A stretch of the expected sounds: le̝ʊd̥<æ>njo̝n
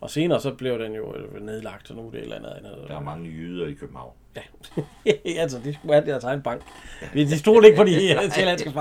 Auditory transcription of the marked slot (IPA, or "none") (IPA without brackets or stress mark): e